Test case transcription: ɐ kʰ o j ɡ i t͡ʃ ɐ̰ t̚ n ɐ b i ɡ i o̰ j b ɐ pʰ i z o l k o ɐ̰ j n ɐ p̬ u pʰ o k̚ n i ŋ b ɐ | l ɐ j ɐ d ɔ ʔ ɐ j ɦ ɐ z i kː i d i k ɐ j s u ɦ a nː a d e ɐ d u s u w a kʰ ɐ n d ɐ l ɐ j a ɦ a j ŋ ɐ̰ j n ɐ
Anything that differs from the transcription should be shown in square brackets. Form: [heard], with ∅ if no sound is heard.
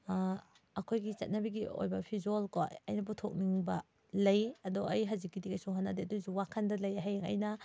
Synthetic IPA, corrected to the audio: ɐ kʰ o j ɡ i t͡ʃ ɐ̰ t̚ n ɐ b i ɡ i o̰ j b ɐ pʰ i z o l k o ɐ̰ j n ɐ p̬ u [tʰ] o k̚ n i ŋ b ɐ | l ɐ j ɐ d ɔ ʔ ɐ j ɦ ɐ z i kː i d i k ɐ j s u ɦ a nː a d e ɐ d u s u w a kʰ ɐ n d ɐ l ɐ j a ɦ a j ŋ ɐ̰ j n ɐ